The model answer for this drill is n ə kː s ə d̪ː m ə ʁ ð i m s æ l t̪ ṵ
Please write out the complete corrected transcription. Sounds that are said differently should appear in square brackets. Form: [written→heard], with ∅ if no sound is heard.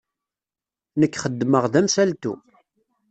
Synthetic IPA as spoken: n ə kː [s→χ] ə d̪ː m ə ʁ ð [i→æ] m s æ l t̪ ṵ